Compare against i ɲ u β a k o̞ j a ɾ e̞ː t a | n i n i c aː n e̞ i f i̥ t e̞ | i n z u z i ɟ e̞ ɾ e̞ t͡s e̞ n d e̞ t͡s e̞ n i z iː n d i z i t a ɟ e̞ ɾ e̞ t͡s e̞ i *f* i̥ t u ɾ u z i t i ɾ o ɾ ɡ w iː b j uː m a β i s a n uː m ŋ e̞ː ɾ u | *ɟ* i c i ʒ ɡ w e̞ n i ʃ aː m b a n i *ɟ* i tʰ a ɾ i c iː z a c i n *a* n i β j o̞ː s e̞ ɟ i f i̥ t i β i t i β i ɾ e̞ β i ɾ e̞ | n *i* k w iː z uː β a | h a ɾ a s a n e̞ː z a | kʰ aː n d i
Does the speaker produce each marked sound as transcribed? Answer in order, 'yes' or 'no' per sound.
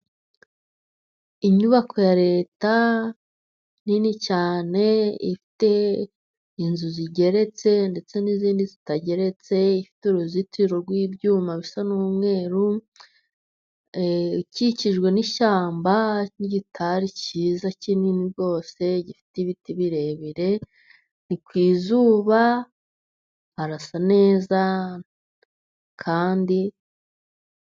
yes, no, yes, no, yes

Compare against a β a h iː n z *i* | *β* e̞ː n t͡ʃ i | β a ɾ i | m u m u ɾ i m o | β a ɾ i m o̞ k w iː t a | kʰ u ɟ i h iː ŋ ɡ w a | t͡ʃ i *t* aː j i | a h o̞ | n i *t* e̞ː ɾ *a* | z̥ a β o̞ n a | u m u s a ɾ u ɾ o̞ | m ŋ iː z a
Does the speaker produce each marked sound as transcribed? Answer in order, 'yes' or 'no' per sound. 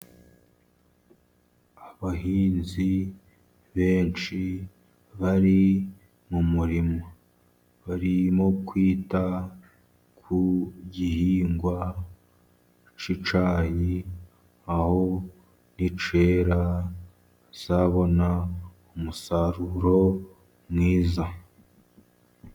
yes, yes, no, no, yes

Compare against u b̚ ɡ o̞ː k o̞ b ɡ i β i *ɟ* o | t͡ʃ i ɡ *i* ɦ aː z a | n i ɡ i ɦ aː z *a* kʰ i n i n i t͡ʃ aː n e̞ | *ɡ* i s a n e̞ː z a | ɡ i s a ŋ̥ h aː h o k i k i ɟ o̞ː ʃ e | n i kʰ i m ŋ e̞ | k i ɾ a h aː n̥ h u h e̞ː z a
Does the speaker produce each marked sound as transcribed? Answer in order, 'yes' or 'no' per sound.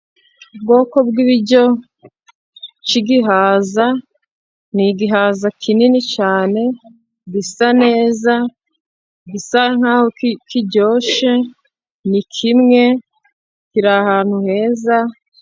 yes, yes, yes, yes

